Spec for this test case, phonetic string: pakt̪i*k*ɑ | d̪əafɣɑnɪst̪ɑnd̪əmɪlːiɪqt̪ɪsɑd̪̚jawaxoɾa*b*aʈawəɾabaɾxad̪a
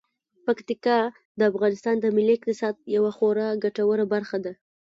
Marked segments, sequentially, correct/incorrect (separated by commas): correct, incorrect